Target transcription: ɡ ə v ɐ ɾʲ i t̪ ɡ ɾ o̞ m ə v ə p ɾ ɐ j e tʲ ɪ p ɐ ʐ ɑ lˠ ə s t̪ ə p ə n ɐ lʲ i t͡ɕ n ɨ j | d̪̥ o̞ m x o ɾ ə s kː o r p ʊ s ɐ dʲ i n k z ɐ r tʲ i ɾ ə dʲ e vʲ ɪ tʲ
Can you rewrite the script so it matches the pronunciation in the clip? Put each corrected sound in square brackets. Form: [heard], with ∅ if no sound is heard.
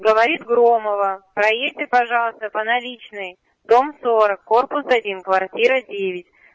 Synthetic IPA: ɡ ə v ɐ ɾʲ i t̪ ɡ ɾ o̞ m ə v ə p ɾ ɐ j e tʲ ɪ p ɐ ʐ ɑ lˠ ə s t̪ ə p ə n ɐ lʲ i t͡ɕ n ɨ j | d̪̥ o̞ m [s] o ɾ ə [∅] kː o r p ʊ s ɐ dʲ i n k [v] ɐ r tʲ i ɾ ə dʲ e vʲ ɪ tʲ